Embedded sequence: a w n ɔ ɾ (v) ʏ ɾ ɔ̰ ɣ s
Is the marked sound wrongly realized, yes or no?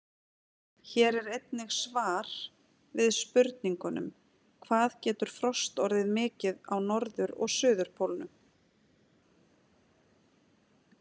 yes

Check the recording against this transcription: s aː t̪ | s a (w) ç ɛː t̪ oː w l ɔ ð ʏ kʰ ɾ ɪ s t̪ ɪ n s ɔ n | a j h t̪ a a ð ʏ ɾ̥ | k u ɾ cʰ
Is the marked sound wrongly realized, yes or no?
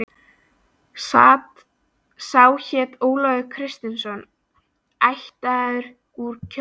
no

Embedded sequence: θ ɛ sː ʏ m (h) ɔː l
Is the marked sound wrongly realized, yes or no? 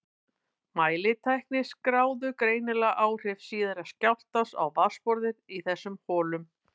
no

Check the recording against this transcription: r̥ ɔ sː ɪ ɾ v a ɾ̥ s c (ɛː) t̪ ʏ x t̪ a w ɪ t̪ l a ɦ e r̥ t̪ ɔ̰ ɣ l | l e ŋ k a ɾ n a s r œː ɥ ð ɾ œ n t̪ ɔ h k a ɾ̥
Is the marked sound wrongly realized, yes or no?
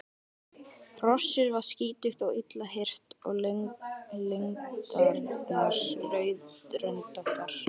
yes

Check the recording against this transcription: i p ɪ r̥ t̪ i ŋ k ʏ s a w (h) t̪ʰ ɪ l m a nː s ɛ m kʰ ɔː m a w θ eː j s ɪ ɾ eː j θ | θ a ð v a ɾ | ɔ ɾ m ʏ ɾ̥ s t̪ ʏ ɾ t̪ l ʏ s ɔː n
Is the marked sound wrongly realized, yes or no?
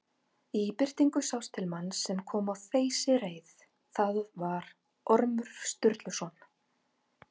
yes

